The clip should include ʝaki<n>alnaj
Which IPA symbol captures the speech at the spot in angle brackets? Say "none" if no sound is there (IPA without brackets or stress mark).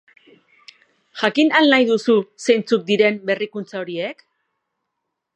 n